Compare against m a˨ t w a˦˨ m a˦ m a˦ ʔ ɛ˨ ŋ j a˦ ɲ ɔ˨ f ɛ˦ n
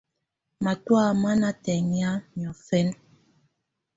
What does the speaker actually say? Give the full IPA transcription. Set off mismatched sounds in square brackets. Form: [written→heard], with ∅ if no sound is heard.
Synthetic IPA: m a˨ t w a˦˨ m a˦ [m→n] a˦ [ʔ→t] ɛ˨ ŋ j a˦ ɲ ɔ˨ f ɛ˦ n